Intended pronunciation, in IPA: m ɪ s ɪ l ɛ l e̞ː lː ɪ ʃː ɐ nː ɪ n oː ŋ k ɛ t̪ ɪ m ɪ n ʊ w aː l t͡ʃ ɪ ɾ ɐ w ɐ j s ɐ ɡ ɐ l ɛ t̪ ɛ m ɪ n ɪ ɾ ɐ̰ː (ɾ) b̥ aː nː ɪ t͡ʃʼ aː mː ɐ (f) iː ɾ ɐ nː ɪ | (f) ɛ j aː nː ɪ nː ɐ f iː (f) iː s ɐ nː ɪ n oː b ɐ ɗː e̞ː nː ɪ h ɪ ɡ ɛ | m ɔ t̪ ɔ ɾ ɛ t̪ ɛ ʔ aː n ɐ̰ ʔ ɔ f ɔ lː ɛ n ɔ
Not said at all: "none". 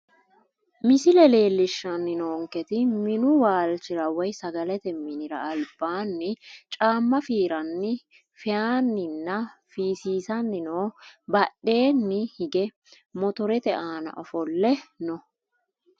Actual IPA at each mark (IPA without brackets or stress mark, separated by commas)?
l, f, f, s